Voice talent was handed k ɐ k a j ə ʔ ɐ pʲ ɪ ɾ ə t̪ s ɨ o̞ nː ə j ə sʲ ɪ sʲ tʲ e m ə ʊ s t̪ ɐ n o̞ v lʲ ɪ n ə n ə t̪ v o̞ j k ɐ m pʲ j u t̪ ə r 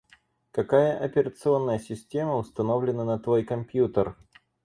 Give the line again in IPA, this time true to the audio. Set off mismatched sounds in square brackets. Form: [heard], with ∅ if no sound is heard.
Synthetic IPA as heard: k ɐ k a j ə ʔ ɐ pʲ ɪ ɾ ə t̪ s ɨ o̞ nː ə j ə sʲ ɪ sʲ tʲ e m ə ʊ s t̪ ɐ n o̞ v lʲ ɪ n ə n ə t̪ v o̞ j k ɐ m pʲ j u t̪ ə r